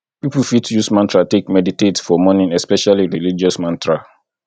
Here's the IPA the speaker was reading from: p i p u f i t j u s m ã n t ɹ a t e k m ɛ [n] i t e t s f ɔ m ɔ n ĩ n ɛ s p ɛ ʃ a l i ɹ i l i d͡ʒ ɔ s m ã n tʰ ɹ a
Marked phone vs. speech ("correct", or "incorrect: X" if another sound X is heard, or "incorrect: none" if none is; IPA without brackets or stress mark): incorrect: d